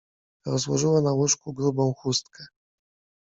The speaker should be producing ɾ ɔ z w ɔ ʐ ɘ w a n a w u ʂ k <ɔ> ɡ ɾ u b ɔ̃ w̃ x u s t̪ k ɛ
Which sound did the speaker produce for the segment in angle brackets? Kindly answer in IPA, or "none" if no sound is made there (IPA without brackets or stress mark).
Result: u